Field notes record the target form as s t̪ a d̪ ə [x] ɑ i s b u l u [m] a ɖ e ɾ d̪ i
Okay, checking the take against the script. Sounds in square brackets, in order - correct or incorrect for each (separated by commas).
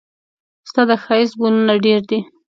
correct, incorrect